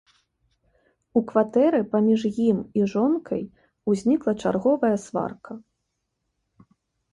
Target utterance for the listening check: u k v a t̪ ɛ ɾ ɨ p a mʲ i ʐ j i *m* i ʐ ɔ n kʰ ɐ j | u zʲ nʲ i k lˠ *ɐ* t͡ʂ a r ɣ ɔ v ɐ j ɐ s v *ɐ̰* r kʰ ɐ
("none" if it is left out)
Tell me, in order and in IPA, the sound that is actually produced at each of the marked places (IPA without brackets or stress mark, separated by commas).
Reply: m, ɐ, a̰